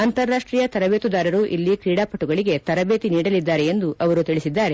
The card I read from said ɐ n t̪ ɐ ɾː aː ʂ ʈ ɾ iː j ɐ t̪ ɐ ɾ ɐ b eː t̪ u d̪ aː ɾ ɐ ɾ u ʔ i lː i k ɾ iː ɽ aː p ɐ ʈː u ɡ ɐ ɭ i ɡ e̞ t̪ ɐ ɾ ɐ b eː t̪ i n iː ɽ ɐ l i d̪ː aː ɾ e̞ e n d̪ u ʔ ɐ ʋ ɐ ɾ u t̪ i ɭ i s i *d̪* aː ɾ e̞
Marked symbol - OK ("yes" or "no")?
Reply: no